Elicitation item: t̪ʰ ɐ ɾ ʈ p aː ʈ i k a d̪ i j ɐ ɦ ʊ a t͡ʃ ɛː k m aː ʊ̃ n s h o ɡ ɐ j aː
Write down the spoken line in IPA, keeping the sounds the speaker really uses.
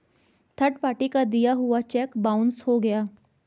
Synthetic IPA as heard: t̪ʰ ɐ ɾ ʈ p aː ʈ i k a d̪ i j a ɦ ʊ a t͡ʃ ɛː k b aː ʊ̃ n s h o ɡ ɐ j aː